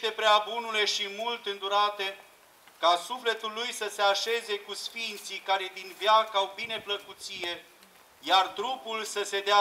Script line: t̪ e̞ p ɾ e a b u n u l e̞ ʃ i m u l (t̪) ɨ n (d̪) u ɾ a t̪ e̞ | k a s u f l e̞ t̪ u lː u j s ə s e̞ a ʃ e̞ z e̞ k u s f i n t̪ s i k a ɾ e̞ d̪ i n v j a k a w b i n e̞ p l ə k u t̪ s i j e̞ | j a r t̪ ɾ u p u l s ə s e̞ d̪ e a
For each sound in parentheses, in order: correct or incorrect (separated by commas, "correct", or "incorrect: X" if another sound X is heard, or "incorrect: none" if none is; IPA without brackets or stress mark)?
correct, correct